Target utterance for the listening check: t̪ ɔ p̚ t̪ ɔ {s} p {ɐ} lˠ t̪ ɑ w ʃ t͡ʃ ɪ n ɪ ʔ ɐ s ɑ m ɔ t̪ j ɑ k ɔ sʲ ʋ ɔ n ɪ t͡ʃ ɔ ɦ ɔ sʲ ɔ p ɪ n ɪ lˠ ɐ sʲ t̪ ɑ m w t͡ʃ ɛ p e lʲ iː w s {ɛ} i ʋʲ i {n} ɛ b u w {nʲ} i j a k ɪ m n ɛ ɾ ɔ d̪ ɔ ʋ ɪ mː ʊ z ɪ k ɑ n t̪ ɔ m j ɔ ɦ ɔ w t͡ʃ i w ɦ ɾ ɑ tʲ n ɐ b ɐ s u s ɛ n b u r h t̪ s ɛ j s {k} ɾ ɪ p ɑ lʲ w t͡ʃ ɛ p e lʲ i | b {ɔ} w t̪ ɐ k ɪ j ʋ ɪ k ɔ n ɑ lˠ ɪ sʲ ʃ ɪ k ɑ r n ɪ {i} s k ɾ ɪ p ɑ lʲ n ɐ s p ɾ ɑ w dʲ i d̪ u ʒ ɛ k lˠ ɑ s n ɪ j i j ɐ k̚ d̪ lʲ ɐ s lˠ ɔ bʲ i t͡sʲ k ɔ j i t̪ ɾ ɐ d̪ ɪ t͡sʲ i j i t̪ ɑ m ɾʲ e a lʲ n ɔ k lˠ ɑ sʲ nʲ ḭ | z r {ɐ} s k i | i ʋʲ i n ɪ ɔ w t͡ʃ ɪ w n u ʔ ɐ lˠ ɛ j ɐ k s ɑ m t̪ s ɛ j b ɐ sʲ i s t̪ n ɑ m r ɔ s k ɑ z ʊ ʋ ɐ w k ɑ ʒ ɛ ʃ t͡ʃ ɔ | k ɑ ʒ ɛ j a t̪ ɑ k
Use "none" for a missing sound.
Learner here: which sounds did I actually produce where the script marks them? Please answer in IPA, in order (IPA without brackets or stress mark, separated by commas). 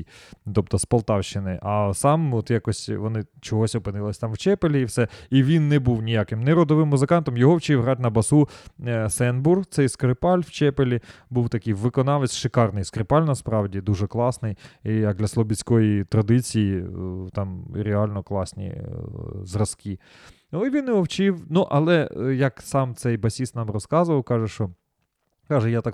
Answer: s, ɐ, ɛ, nː, nʲ, k, u, j, ɐ